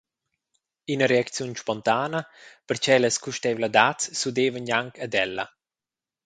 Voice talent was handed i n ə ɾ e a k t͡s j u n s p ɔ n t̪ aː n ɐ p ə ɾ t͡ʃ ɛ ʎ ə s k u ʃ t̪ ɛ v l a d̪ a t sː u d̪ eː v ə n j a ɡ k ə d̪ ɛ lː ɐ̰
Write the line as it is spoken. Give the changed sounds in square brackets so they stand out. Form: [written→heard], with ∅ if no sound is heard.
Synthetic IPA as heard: i n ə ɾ e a k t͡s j u n [s→ʃ] p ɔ n t̪ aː n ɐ p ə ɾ t͡ʃ ɛ [ʎ→l] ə s k u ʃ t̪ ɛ v l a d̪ a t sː u d̪ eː v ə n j a [ɡ→ŋ] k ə d̪ ɛ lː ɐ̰